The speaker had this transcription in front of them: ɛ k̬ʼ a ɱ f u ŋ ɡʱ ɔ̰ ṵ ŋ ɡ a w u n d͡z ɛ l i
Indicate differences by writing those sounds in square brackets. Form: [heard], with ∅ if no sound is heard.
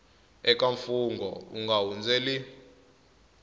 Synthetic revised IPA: ɛ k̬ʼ a ɱ f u ŋ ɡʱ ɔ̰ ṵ ŋ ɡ a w u n d͡z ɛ l i